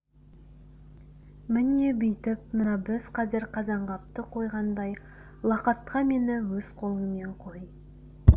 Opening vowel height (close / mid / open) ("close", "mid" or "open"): close